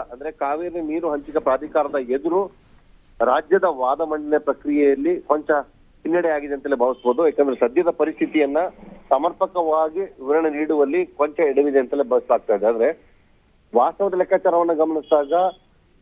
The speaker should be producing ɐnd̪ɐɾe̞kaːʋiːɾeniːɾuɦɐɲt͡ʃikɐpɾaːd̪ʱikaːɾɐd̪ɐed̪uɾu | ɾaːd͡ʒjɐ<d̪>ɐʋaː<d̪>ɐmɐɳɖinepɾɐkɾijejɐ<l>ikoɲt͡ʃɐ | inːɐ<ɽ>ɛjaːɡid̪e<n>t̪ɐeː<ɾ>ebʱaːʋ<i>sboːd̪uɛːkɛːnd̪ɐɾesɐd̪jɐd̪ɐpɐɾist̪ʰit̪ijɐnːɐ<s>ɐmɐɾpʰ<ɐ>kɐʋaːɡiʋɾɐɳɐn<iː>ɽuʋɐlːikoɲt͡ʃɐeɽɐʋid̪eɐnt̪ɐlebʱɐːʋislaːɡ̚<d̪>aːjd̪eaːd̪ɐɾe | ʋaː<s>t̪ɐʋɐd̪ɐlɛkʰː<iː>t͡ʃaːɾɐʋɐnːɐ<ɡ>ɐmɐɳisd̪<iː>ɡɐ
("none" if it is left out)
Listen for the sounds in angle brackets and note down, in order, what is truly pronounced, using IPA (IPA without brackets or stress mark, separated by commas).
d̪, d̪, lː, ɽ, n, l, i, s, ɐ, iː, t̪, s, aː, ɡ, aː